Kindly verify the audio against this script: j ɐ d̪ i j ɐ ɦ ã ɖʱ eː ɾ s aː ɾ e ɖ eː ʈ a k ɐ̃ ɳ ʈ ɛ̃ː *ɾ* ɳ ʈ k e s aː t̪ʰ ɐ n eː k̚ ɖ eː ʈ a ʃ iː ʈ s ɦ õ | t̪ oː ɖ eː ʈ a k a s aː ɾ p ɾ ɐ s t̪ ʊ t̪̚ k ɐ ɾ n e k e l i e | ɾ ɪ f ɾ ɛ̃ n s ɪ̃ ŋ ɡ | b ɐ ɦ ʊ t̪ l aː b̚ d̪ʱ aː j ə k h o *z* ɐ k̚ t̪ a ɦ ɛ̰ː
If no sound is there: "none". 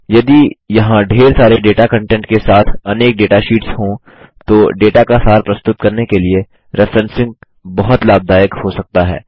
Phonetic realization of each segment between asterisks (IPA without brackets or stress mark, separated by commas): none, s